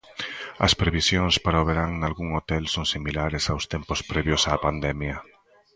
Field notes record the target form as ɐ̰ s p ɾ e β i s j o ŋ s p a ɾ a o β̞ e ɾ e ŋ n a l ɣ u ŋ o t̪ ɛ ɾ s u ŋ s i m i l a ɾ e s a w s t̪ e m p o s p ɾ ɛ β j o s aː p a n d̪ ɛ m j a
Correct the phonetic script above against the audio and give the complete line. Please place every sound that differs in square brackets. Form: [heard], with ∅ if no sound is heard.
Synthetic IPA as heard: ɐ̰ s p ɾ e β i s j o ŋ s p a ɾ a o β̞ e ɾ [a] ŋ n a l ɣ u ŋ o t̪ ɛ [l] s [o] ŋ s i m i l a ɾ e s a w s t̪ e m p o s p ɾ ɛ β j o s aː p a n d̪ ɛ m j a

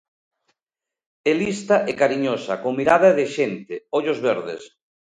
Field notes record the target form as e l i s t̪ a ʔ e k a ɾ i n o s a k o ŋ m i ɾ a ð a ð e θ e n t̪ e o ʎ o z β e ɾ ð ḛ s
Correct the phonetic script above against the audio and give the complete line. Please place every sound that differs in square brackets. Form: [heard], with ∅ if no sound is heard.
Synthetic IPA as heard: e l i s t̪ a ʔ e k a ɾ i [ɲ] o s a k o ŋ m i ɾ a ð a ð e [ʃ] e n t̪ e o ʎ o z β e ɾ ð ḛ s

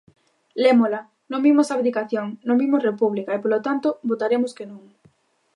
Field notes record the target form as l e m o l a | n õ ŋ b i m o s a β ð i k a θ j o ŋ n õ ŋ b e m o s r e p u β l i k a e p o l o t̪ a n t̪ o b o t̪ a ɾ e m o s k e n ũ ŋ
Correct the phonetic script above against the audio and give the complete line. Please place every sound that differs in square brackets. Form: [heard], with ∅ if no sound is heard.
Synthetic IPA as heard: l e m o l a | n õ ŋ b i m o s a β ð i k a θ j o ŋ n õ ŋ b [i] m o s r e p u β l i k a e p o l o t̪ a n t̪ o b o t̪ a ɾ e m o s k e n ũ ŋ

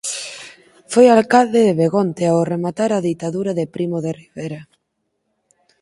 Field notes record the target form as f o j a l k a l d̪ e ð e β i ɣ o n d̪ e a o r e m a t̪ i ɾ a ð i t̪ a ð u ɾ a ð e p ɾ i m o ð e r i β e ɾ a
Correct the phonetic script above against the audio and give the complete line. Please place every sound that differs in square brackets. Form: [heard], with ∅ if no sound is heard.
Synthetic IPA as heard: f o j a l k a l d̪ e ð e β [e] ɣ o n [t̪] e a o r e m a t̪ [a] ɾ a ð i t̪ a ð u ɾ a ð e p ɾ i m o ð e r i β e ɾ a

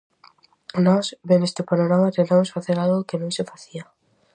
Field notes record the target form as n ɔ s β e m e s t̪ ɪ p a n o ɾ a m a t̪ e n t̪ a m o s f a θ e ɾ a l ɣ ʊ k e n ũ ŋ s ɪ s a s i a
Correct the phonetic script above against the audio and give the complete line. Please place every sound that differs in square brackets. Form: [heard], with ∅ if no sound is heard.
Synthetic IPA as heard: n ɔ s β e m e s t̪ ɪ p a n o ɾ a m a t̪ e n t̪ a m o s f a θ e ɾ a l ɣ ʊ k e n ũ ŋ s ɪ [f] a [θ] i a

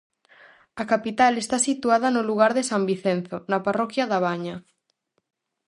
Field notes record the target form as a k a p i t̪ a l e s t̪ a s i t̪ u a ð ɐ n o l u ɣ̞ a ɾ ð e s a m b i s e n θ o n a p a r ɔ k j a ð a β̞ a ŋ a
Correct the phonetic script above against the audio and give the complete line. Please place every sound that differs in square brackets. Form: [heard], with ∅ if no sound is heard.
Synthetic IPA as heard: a k a p i t̪ a l e s t̪ a s i t̪ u a ð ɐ n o l u ɣ̞ a ɾ ð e s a m b i [θ] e n θ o n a p a r ɔ k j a ð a β̞ a [ɲ] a

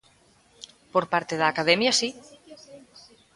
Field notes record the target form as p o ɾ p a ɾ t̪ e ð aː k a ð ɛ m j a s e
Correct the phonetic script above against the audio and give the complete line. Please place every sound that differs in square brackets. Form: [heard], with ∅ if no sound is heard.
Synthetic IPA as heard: p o ɾ p a ɾ t̪ e ð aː k a ð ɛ m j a s [i]

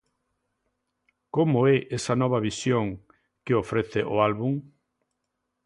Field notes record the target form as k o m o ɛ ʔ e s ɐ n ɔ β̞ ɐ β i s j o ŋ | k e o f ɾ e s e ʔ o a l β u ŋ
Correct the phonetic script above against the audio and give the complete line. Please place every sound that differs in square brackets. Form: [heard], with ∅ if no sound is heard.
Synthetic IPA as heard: k o m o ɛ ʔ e s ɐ n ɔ β̞ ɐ β i s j o ŋ | k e o f ɾ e [θ] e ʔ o a l β u ŋ

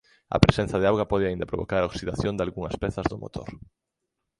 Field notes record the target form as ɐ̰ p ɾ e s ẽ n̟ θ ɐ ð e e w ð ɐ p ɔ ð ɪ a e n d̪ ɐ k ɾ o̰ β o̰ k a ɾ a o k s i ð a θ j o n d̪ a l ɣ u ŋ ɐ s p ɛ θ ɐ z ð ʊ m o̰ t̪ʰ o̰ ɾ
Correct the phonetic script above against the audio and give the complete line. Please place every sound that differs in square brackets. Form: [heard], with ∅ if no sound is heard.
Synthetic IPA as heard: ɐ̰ p ɾ e s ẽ n̟ θ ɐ ð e [a] w [ɣ] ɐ p ɔ ð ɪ a [i] n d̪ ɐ [p] ɾ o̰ β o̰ k a ɾ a o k s i ð a θ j o n d̪ a l ɣ u ŋ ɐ s p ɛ θ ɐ z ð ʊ m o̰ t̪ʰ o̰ ɾ

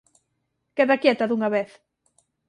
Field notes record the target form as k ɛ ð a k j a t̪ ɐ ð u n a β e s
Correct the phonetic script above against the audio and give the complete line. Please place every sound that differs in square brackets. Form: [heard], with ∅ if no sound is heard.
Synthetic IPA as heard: k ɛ ð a k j [ɛ] t̪ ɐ ð u [ŋ] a β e [θ]

